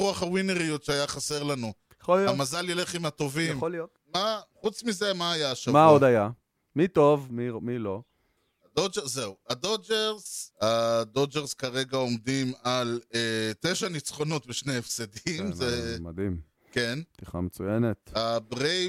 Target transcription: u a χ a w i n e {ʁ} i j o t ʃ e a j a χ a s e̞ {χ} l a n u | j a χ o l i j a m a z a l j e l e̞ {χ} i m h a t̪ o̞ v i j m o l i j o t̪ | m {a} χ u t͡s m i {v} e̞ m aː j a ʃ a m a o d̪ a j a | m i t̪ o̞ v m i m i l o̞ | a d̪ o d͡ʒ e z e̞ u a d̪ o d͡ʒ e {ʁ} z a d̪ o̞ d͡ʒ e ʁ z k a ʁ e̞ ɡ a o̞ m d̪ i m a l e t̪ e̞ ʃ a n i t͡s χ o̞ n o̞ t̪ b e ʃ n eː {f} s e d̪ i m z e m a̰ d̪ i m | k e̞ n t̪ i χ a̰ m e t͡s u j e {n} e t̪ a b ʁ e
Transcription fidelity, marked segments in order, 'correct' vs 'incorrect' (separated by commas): correct, incorrect, correct, correct, incorrect, correct, correct, correct